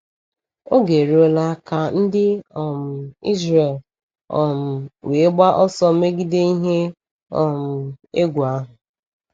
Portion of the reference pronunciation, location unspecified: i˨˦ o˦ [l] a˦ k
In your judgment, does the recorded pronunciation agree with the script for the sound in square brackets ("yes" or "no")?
yes